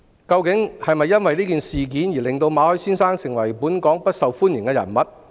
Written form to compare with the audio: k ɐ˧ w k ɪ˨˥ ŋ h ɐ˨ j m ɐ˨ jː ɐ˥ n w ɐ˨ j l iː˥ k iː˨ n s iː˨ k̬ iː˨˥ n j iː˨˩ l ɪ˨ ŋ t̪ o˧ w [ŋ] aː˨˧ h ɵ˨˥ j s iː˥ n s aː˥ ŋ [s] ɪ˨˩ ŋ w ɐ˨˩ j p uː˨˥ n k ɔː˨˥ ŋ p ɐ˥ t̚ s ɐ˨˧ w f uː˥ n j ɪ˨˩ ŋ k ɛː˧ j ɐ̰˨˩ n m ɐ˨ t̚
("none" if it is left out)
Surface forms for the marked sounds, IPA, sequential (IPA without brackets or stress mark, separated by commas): m, s